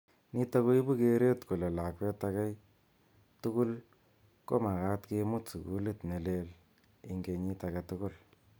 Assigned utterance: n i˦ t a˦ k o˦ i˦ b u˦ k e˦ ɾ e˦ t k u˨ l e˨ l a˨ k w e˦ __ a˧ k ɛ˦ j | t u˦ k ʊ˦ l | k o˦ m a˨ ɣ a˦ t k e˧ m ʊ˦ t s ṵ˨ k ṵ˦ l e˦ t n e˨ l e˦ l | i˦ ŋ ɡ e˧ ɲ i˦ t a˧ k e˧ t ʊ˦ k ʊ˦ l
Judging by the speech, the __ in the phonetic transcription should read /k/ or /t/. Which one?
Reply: t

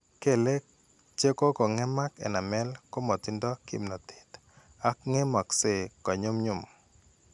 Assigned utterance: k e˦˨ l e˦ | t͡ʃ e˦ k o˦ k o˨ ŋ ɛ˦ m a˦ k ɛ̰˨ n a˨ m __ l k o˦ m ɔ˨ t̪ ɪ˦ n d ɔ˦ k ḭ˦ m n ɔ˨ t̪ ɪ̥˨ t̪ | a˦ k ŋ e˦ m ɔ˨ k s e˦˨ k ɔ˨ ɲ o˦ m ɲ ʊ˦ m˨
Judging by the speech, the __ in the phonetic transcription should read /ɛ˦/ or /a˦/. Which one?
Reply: ɛ˦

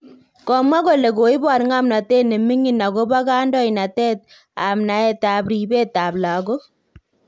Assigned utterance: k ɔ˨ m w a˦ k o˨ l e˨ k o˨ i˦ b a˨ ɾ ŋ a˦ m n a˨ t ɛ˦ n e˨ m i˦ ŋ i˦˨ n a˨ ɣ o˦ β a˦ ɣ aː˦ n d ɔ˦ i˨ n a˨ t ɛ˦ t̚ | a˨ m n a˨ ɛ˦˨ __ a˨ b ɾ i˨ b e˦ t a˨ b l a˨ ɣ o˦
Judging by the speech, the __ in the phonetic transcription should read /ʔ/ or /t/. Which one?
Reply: t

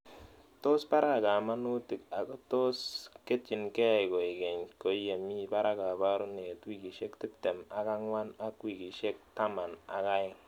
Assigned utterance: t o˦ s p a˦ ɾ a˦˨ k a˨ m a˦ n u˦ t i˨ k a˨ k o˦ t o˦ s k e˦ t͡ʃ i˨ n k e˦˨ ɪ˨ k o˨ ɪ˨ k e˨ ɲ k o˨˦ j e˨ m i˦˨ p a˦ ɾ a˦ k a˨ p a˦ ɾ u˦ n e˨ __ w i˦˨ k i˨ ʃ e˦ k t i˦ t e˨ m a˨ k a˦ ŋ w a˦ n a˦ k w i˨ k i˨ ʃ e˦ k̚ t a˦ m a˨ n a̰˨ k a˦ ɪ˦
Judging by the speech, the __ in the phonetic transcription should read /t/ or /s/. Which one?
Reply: t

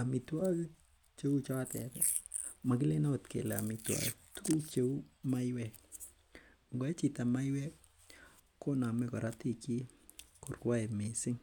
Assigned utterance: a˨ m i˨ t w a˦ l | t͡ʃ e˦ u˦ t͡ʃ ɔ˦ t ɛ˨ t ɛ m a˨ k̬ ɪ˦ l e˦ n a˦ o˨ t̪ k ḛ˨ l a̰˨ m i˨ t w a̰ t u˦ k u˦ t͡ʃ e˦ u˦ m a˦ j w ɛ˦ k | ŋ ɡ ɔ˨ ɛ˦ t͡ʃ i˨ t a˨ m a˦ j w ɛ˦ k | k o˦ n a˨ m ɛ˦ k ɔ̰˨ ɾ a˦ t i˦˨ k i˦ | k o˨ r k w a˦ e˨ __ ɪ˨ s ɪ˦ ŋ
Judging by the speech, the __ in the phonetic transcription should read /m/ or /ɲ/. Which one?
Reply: m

